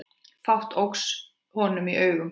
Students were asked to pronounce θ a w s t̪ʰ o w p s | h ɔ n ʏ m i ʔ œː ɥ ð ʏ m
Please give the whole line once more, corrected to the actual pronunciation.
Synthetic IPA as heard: f a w h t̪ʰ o w k s | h ɔ n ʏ m i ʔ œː ɥ ɣ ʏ m